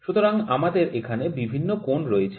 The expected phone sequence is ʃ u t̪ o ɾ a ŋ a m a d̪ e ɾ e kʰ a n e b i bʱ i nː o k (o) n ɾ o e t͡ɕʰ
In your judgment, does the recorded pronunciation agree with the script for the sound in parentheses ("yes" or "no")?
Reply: yes